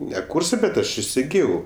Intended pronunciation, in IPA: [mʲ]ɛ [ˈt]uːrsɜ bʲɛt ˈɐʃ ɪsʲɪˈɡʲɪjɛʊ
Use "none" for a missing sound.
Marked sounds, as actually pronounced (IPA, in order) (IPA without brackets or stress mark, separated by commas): nʲ, k